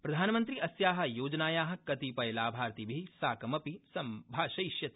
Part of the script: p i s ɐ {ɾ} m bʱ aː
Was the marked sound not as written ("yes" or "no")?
yes